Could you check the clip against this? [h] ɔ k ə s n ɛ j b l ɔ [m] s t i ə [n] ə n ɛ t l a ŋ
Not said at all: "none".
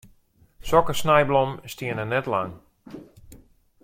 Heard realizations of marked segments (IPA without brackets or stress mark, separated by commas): s, m, n